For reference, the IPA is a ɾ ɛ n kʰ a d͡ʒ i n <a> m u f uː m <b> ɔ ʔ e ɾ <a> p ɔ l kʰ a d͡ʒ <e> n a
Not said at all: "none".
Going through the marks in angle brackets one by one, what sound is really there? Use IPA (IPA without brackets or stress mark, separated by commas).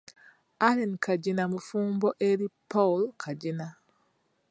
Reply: a, b, i, i